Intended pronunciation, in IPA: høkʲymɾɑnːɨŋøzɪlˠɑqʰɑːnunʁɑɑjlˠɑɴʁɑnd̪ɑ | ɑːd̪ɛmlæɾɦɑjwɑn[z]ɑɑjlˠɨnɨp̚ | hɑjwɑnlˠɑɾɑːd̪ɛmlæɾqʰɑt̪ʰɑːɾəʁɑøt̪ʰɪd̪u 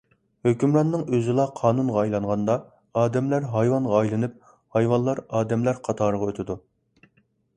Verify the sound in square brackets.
incorrect: ʁ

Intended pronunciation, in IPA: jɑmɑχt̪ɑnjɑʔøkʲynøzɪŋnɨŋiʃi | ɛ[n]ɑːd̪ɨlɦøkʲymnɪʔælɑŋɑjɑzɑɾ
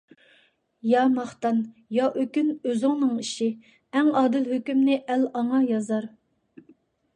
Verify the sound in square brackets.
incorrect: ŋ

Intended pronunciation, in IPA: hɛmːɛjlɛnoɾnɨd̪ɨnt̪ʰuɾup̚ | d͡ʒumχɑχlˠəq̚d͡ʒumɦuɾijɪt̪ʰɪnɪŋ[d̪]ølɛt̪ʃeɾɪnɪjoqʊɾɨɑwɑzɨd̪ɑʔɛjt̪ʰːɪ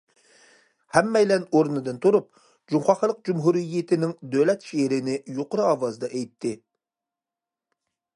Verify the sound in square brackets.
correct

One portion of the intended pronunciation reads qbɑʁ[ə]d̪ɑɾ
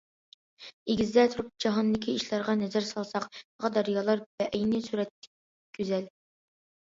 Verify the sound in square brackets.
incorrect: ɑ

